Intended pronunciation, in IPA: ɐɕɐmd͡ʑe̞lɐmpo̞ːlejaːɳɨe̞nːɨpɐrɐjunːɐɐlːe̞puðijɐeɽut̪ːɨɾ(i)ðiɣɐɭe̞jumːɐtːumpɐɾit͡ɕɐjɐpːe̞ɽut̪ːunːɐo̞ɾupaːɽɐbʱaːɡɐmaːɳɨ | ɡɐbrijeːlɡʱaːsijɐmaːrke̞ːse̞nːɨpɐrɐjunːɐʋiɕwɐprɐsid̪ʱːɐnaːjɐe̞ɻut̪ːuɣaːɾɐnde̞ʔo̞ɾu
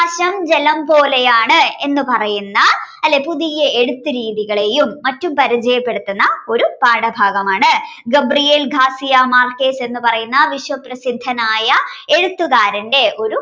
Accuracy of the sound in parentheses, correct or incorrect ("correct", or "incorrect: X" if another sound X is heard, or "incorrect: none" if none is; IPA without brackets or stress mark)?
incorrect: iː